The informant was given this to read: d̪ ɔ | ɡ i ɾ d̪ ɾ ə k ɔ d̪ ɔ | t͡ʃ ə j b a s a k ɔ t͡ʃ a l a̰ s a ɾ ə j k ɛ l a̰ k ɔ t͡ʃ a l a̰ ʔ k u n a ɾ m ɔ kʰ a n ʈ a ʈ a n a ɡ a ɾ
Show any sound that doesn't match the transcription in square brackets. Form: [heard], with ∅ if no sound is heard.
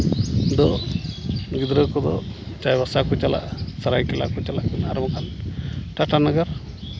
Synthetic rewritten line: d̪ ɔ | ɡ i [∅] d̪ ɾ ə k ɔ d̪ ɔ | t͡ʃ [a] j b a s a k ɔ t͡ʃ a l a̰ s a ɾ [a] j k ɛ l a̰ k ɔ t͡ʃ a l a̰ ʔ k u n a ɾ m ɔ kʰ a n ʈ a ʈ a n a ɡ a ɾ